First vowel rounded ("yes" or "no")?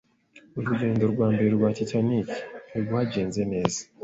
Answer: yes